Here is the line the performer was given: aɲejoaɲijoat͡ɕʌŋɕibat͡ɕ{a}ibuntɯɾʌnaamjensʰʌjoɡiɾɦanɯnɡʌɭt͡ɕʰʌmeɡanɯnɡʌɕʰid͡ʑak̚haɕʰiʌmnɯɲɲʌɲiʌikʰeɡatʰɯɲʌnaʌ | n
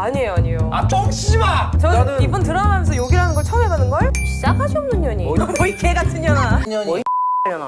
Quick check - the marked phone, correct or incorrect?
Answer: incorrect: ʌ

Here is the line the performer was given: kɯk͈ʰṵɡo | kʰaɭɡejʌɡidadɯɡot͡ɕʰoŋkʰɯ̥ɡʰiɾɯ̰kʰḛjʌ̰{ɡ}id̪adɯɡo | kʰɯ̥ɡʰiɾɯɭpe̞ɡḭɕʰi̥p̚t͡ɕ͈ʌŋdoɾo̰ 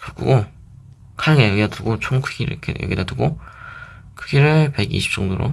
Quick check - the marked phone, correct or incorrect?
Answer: correct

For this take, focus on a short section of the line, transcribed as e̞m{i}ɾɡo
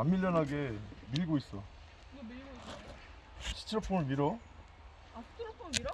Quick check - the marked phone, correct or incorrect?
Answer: correct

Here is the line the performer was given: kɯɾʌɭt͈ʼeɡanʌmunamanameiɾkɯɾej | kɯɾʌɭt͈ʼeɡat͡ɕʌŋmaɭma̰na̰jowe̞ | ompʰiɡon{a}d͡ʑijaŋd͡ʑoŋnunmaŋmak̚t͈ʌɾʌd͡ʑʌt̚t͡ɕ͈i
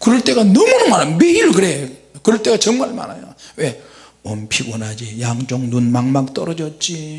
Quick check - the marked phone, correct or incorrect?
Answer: correct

